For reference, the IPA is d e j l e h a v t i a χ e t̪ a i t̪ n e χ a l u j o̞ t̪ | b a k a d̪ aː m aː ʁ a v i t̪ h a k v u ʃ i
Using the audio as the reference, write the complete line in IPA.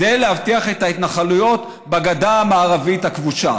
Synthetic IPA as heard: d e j l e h a v t i a χ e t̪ a i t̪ n a χ a l u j o̞ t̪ | b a ɡ a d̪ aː m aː ʁ a v i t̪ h a k v u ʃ a